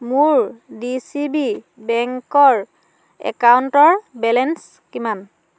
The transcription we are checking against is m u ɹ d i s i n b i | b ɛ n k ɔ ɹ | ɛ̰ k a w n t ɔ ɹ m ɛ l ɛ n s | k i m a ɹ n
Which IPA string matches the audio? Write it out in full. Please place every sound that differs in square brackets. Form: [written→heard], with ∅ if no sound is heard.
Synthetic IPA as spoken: m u ɹ d i s i [n→∅] b i | b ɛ [n→ŋ] k ɔ ɹ | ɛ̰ k a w n t ɔ ɹ [m→b] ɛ l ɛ n s | k i m a [ɹ→∅] n